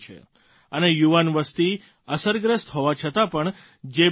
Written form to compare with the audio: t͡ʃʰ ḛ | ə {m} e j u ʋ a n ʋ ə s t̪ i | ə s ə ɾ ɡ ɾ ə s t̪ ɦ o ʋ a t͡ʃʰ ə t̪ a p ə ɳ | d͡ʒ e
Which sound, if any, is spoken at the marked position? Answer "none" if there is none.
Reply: n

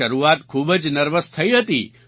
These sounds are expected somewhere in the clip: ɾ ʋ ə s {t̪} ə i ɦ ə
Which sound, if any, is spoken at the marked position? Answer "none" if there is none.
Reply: t̪ʰ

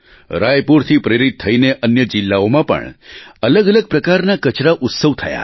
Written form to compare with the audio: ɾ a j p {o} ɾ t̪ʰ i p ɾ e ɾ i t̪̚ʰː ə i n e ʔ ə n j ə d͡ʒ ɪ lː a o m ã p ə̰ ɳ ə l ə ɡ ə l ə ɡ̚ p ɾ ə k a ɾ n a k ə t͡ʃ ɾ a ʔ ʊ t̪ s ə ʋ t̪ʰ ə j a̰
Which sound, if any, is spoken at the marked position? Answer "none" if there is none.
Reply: u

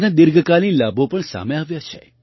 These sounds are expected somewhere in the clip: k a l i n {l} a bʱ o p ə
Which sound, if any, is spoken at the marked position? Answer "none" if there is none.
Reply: l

